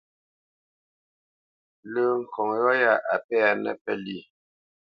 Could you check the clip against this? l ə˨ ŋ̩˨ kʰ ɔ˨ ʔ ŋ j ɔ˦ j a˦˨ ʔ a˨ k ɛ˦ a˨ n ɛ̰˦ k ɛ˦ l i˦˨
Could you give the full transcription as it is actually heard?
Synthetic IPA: l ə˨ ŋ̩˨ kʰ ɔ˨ ŋ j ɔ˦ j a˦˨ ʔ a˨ p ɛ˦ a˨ n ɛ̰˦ p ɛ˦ l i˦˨